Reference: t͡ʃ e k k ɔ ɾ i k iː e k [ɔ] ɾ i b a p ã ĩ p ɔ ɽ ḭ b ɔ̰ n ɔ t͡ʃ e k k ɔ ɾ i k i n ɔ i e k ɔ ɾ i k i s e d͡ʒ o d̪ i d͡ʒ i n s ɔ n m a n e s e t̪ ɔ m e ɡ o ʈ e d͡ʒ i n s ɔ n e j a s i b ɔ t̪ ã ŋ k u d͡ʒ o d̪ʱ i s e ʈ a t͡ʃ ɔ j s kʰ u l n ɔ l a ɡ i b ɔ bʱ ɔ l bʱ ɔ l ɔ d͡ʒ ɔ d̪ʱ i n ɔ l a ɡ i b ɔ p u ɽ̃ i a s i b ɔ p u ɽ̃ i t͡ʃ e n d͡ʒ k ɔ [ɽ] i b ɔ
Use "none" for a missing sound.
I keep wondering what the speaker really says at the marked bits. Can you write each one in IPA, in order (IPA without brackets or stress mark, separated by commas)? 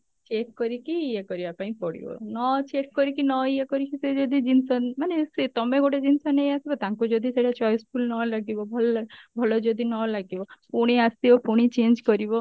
ɔ, ɾ